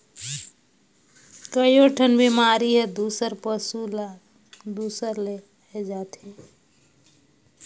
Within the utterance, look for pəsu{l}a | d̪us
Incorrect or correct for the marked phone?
correct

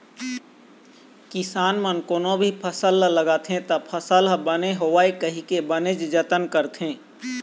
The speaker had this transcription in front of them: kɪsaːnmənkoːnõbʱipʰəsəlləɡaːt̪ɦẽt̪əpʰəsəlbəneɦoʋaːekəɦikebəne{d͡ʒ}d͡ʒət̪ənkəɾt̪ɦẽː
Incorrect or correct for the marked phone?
correct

